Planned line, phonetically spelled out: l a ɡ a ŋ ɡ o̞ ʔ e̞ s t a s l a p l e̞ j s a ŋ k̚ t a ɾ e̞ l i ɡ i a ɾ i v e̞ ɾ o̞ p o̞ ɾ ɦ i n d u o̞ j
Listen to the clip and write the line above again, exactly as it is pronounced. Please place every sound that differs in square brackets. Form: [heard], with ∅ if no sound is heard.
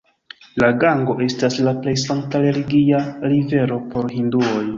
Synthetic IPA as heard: l a ɡ a ŋ ɡ o̞ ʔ e̞ s t a s l a p l e̞ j s a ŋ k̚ t a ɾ e̞ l i ɡ i a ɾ i v e̞ ɾ o̞ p o̞ ɾ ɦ i n d u o̞ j